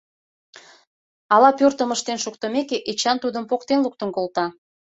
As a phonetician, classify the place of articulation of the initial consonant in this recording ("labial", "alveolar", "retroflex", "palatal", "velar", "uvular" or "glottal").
alveolar